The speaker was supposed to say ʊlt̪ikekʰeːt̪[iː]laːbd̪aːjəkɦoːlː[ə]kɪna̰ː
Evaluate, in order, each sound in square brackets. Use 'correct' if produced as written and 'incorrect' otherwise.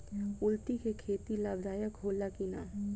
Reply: incorrect: i, incorrect: a

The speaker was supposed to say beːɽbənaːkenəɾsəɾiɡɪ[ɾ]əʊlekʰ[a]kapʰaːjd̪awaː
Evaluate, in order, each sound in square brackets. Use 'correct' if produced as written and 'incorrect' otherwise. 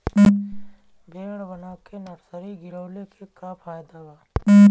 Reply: correct, incorrect: e

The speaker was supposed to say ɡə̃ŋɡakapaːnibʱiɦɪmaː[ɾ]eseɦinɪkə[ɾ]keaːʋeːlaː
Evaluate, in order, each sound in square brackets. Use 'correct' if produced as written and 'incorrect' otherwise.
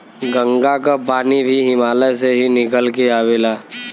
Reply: incorrect: l, incorrect: l

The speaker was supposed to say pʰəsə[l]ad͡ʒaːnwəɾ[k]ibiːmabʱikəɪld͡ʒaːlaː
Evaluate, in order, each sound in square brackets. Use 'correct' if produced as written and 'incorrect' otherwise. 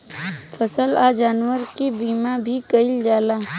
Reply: correct, correct

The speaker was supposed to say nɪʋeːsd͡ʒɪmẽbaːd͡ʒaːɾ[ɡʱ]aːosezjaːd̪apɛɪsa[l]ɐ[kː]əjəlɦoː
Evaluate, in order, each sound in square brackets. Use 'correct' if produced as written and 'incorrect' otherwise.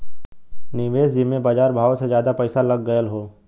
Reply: incorrect: bʱ, correct, incorrect: ɡː

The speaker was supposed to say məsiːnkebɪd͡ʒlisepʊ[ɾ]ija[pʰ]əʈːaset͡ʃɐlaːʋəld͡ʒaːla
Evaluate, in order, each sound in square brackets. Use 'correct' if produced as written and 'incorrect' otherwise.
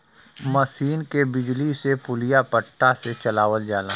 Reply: incorrect: l, incorrect: p

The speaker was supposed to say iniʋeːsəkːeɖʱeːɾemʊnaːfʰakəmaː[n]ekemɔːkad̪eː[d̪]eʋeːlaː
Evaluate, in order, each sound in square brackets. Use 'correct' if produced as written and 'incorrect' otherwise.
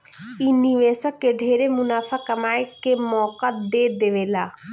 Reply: incorrect: none, correct

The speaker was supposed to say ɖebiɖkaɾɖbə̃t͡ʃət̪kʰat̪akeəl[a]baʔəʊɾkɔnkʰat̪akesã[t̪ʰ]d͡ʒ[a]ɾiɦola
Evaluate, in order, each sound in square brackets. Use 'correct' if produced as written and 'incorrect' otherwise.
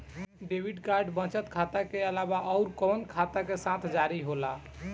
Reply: correct, correct, correct

